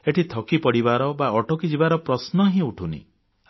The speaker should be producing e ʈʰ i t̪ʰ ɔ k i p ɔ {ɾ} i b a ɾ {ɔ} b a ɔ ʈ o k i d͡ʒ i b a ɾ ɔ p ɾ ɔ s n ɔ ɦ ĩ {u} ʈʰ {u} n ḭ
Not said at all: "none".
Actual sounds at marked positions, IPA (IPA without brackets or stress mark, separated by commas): ɽ, ɔ, u, u